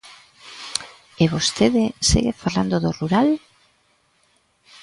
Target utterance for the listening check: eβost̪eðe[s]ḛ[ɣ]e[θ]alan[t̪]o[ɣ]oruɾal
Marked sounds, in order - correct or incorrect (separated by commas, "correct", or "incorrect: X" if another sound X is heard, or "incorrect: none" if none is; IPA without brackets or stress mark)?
correct, correct, incorrect: f, incorrect: d̪, incorrect: ð